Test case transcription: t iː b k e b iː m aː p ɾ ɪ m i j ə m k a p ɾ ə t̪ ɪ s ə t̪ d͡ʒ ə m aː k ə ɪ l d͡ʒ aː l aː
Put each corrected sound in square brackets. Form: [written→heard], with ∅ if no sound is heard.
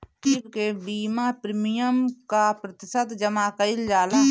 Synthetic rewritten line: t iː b k e b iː m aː p ɾ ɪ m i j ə m k a p ɾ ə t̪ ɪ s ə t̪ d͡ʒ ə m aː k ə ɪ l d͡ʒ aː l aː

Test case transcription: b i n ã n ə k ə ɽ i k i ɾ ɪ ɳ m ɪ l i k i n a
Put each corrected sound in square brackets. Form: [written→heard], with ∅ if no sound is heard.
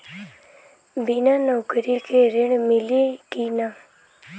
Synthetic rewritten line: b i n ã n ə k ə [ɽ→ɾ] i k [i→e] ɾ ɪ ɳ m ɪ l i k i n a

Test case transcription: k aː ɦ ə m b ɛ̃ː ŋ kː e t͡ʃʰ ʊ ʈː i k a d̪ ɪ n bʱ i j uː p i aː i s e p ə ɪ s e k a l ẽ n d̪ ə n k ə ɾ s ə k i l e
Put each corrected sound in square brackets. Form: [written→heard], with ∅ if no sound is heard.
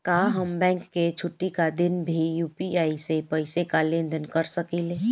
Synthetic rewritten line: k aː ɦ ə m b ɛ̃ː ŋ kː e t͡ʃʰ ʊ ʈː i k a d̪ ɪ n bʱ i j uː p i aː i s e p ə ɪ s e k a l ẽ n d̪ ə n k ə ɾ s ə k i l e

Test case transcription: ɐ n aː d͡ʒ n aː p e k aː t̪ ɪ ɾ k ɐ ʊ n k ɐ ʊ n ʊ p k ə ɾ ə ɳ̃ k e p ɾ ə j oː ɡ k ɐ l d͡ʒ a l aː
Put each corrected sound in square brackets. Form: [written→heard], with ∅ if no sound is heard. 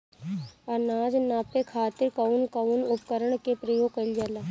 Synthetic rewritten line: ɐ n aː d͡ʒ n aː p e [k→kʰ] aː t̪ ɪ ɾ k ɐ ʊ n k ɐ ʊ n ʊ p k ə ɾ ə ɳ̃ k e p ɾ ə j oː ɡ k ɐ l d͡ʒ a l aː

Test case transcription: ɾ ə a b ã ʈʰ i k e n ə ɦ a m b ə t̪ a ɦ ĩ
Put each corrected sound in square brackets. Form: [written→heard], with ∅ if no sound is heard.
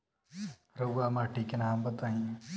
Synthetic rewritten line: ɾ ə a [b→m] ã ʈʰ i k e n [ə→a] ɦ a m b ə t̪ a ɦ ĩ

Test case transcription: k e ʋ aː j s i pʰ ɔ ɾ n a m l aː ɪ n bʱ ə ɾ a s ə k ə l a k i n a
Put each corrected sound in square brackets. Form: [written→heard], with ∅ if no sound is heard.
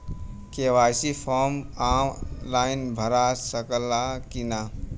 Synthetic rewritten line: k e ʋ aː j s i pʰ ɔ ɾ [n→m] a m l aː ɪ n bʱ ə ɾ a s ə k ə l a k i n a

